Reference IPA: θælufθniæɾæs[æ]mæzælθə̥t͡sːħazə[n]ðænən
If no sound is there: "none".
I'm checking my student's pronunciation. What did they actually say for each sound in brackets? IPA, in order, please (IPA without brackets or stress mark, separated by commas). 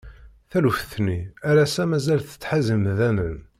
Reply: æ, m